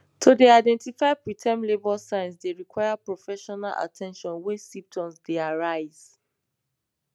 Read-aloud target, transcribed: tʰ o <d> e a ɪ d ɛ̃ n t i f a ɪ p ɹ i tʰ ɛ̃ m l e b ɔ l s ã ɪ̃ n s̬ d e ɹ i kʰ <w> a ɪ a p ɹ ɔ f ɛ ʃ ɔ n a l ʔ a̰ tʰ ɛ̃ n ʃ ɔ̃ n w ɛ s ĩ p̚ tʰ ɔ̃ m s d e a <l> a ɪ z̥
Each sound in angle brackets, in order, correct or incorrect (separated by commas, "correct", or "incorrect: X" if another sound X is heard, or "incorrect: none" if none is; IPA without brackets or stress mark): correct, correct, incorrect: ɹ